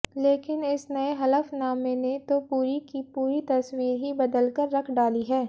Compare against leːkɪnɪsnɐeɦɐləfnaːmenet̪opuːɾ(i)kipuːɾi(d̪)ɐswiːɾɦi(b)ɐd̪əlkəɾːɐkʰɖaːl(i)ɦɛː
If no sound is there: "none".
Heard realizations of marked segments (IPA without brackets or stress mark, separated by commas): i, t̪, b, i